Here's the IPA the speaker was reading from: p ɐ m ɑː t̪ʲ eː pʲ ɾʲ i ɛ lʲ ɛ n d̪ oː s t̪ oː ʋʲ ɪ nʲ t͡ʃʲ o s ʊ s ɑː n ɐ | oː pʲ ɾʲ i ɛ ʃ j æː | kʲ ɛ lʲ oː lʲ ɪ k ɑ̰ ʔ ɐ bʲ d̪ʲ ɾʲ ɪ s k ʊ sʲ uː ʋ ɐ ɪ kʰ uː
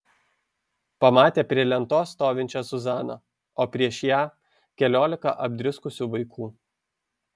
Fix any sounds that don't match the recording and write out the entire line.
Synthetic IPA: p ɐ m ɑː t̪ʲ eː pʲ ɾʲ i ɛ lʲ ɛ n t̪ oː s t̪ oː ʋʲ ɪ nʲ t͡ʃʲ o s ʊ z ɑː n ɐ | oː pʲ ɾʲ i ɛ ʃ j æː | kʲ ɛ lʲ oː lʲ ɪ k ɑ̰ ʔ ɐ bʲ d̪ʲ ɾʲ ɪ s k ʊ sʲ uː ʋ ɐ ɪ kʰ uː